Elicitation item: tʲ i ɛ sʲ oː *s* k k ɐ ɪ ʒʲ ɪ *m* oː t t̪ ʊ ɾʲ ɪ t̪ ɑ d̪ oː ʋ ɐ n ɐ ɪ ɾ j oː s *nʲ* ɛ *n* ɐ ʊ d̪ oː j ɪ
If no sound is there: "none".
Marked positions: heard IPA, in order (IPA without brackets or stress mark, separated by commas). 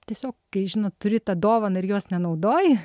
none, n, nʲ, n